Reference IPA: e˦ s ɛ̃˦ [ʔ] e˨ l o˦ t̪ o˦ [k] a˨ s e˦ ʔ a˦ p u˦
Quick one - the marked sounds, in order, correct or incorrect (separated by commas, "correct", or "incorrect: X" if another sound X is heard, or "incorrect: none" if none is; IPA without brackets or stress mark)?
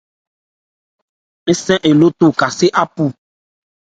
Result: correct, correct